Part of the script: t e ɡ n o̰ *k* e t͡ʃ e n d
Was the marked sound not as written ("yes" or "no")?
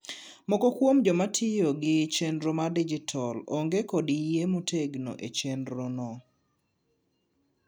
yes